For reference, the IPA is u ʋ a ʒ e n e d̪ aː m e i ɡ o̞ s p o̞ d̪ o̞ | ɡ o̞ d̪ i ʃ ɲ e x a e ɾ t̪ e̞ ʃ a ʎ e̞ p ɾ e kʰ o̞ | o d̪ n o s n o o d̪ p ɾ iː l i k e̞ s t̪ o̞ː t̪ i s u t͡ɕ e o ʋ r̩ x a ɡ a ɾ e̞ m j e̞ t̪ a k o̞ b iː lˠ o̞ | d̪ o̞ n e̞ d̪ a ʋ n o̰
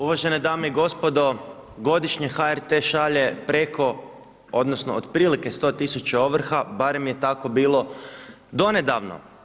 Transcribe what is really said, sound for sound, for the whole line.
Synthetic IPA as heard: u ʋ a ʒ e n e d̪ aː m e i ɡ o̞ s p o̞ d̪ o̞ | ɡ o̞ d̪ i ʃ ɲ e x a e ɾ t̪ e̞ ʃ a ʎ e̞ p ɾ e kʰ o̞ | o d̪ n o s n o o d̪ p ɾ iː l i k e̞ s t̪ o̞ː t̪ i s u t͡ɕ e o ʋ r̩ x a b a ɾ e̞ m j e̞ t̪ a k o̞ b iː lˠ o̞ | d̪ o̞ n e̞ d̪ a ʋ n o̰